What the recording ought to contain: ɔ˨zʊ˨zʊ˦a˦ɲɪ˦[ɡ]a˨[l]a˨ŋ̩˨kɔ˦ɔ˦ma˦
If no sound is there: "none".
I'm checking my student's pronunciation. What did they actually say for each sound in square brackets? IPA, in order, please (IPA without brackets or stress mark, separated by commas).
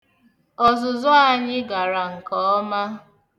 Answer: ɡ, ɾ